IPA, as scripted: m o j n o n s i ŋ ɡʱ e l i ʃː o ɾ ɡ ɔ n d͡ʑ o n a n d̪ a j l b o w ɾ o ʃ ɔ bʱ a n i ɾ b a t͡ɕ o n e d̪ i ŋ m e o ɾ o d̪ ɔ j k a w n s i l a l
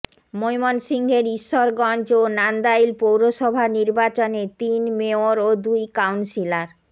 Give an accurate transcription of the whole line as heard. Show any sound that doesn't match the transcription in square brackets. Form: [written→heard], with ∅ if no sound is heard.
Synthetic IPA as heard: m o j [n→m] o n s i ŋ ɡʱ e [l→ɾ] i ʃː o ɾ ɡ ɔ n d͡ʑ o n a n d̪ a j l [b→p] o w ɾ o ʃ ɔ bʱ a n i ɾ b a t͡ɕ o n e [d̪→t̪] i [ŋ→n] m e o ɾ o d̪ [ɔ→u] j k a w n s i l a [l→ɾ]